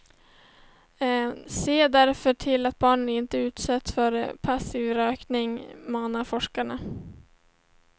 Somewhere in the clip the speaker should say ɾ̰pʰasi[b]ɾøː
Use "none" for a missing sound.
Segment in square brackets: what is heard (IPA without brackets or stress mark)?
v